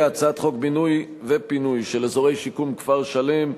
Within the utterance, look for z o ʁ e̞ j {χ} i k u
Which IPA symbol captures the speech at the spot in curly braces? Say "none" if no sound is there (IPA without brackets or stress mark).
ʃ